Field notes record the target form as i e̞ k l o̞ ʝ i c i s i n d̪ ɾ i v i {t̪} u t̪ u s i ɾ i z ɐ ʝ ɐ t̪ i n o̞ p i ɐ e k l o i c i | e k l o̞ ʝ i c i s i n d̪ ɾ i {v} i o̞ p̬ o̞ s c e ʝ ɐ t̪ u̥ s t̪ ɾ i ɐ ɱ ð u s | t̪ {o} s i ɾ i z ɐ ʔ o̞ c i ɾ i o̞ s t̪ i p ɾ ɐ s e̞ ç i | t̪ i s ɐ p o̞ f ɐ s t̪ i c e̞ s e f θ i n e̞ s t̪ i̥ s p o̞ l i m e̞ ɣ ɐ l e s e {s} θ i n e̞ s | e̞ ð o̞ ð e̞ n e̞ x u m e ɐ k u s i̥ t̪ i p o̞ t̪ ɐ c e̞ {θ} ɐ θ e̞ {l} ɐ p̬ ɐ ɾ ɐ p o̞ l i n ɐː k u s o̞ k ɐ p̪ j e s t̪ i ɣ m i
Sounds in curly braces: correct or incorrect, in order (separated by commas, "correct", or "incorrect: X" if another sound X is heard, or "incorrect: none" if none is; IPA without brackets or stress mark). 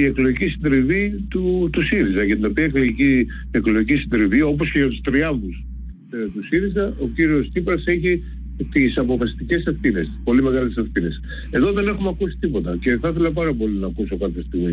correct, correct, incorrect: u, incorrect: f, correct, correct